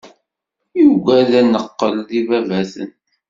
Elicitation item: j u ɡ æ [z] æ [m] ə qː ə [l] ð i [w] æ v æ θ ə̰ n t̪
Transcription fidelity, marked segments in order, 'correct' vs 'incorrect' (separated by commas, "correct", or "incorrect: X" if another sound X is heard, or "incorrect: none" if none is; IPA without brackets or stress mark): incorrect: ð, incorrect: n, correct, incorrect: v